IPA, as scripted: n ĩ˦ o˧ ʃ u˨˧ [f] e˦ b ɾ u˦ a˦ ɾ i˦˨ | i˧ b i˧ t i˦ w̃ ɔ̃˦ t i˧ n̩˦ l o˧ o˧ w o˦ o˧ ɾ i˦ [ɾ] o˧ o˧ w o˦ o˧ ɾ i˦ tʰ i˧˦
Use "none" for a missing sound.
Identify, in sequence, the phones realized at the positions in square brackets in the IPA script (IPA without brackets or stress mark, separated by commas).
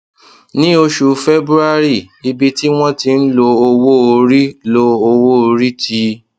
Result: f, l